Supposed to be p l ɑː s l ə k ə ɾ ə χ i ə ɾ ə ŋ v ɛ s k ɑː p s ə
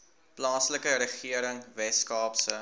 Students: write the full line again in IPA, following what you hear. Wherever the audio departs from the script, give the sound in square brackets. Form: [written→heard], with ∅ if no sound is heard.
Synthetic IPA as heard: p l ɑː s l ə k ə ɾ ə χ i ə ɾ ə ŋ v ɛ s k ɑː p s ə